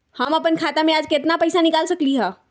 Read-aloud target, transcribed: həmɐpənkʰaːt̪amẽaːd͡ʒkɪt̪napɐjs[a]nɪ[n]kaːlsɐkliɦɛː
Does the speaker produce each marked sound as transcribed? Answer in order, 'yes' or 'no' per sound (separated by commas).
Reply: yes, no